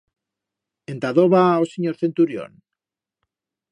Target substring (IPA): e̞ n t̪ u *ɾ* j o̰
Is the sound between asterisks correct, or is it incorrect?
correct